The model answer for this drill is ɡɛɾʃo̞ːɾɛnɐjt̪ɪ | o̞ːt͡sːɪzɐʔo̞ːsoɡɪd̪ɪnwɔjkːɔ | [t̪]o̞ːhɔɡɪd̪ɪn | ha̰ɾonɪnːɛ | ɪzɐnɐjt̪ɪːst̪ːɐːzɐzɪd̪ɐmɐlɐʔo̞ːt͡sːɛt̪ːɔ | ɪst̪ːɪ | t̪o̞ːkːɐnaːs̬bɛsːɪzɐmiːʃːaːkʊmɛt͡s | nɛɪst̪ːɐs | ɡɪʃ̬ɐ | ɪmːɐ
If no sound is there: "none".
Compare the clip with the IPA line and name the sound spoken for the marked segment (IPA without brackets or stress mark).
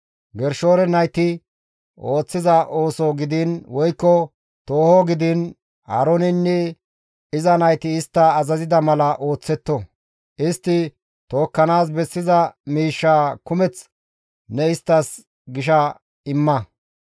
t̪